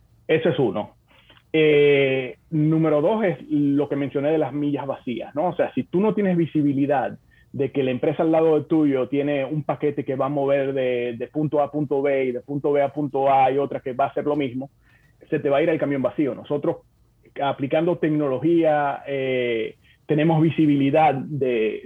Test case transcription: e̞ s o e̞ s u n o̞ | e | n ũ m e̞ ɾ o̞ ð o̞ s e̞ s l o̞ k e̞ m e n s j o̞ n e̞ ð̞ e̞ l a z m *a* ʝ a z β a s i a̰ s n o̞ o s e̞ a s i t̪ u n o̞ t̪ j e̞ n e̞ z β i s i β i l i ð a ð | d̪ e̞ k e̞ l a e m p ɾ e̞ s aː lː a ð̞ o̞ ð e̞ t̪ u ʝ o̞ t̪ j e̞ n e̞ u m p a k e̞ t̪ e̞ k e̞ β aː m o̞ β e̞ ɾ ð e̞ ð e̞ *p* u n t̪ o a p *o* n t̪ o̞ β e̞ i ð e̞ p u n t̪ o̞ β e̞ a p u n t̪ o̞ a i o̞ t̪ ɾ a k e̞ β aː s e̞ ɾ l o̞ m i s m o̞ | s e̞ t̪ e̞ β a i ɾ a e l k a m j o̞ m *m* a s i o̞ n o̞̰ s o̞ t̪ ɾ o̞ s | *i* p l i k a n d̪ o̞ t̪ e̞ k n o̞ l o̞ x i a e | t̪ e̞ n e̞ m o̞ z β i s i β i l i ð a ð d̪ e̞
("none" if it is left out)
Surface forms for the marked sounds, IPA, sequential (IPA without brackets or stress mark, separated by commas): i, p, u, b, a